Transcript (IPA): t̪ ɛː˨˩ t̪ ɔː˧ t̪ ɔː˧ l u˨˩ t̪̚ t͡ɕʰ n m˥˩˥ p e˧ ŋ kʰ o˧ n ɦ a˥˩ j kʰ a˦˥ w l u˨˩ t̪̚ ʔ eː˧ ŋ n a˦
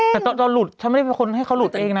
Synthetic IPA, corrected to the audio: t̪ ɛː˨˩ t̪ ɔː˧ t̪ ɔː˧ l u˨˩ t̪̚ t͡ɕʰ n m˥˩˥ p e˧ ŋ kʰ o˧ n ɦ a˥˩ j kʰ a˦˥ w l u˨˩ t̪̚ ʔ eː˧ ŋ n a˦